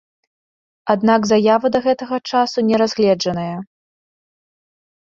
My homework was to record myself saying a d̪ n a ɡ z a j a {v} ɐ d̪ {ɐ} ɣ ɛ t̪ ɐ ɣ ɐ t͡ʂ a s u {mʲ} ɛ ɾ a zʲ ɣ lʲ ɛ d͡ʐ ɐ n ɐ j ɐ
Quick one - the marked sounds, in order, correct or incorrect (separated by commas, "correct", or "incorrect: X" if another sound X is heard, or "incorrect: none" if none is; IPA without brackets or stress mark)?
correct, correct, incorrect: nʲ